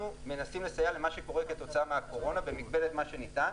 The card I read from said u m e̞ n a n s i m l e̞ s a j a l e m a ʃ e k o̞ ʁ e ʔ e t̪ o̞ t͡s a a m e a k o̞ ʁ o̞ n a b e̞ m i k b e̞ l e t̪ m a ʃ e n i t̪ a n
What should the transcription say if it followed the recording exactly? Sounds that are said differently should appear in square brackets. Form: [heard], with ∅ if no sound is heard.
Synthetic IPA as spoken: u m e̞ n a [∅] s i m l e̞ s a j a l e m a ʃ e k o̞ ʁ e [k] e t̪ o̞ t͡s a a m e a k o̞ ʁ o̞ n a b e̞ m i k b e̞ l e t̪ m a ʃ e n i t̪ a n